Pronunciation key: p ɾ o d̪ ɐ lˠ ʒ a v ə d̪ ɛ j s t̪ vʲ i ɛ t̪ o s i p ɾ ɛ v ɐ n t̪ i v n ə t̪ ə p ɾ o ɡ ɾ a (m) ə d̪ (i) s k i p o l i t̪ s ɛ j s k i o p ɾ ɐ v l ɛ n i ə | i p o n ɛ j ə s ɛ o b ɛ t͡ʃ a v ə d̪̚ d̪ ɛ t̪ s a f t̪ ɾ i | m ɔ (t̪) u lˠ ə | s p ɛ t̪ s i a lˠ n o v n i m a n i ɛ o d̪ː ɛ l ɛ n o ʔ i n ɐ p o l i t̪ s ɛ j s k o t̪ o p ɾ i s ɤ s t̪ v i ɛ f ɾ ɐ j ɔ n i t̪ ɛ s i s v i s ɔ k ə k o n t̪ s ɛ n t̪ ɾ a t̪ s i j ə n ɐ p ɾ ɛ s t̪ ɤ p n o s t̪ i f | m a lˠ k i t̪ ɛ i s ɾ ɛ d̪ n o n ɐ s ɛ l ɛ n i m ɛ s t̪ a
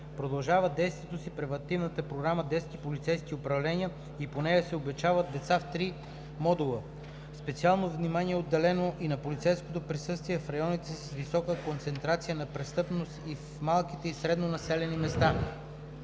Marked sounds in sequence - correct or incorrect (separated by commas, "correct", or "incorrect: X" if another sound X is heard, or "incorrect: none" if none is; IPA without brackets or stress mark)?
correct, incorrect: ɛ, incorrect: d̪